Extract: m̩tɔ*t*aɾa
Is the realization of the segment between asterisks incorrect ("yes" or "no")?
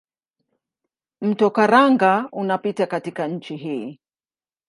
yes